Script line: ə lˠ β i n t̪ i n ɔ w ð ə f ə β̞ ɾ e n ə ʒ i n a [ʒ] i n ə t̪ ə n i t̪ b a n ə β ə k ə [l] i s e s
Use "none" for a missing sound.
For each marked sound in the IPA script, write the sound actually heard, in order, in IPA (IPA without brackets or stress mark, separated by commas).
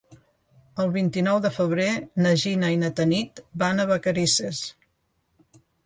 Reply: none, ɾ